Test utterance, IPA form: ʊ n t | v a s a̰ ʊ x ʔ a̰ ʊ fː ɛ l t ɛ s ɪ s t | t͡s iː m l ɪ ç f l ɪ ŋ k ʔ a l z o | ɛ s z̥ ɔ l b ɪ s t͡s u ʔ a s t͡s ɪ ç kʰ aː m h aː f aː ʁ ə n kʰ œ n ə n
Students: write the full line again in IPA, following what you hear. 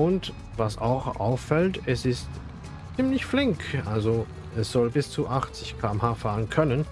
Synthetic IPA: ʊ n t | v a s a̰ ʊ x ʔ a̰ ʊ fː ɛ l t ɛ s ɪ s t | t͡s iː m l ɪ ç f l ɪ ŋ k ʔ a l z o | ɛ s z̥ ɔ l b ɪ s t͡s u ʔ a χ t͡s ɪ ç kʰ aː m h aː f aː ʁ ə n kʰ œ n ə n

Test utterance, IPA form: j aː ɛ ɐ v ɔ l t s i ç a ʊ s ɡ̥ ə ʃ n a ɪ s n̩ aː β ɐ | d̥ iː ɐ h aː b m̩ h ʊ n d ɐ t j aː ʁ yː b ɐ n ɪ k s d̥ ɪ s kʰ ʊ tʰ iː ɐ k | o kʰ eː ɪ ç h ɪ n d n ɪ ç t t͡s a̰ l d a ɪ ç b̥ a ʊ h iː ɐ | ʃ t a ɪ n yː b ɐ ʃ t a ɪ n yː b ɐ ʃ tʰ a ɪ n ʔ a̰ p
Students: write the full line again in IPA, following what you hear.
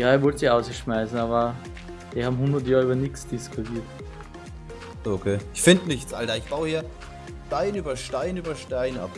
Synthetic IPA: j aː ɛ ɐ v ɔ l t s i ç a ʊ s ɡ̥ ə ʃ m a ɪ s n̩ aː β ɐ | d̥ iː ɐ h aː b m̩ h ʊ n d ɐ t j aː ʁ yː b ɐ n ɪ k s d̥ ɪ s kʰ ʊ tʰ iː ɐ t | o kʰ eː ɪ ç f ɪ n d n ɪ ç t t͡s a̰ l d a ɪ ç b̥ a ʊ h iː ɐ | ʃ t a ɪ n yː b ɐ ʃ t a ɪ n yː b ɐ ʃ t a ɪ n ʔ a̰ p

